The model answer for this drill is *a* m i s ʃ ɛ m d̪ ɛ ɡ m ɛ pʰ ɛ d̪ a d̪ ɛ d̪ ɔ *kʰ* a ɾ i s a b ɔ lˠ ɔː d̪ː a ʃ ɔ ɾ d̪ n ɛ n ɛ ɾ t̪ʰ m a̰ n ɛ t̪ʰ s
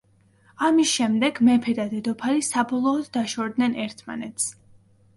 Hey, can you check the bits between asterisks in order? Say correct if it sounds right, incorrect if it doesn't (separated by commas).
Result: correct, incorrect